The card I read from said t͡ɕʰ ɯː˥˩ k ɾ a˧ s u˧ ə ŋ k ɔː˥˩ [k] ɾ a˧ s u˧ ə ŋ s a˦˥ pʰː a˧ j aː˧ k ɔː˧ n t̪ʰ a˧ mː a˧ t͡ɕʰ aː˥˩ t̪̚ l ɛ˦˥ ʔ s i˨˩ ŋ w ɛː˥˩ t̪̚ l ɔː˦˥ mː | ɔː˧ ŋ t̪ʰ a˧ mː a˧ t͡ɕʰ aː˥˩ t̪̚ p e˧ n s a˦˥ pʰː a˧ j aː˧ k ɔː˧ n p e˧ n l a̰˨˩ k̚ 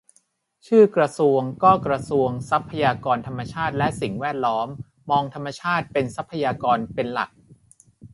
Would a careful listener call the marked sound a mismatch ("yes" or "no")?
no